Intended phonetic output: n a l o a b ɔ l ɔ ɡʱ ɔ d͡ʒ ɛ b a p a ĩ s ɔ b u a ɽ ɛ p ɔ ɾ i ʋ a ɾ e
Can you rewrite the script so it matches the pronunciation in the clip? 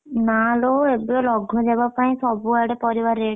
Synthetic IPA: n a l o e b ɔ l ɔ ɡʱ ɔ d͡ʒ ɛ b a p a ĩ s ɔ b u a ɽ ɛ p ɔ ɾ i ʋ a ɾ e